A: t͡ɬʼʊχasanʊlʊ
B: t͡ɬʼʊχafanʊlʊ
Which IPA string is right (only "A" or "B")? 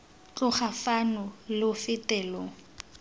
B